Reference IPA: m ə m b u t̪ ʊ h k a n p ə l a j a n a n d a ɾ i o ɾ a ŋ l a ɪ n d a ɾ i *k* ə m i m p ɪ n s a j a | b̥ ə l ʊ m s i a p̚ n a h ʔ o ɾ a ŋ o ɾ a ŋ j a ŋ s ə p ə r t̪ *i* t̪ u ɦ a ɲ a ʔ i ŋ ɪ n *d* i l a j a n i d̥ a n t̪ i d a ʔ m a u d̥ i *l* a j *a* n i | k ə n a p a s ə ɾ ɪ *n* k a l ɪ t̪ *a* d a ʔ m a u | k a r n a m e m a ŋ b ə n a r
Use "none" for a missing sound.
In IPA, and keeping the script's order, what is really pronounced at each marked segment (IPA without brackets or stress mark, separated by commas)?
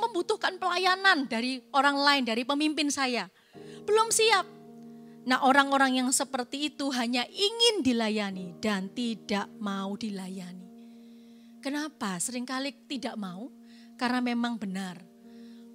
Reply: p, iː, d, l, a, ŋ, i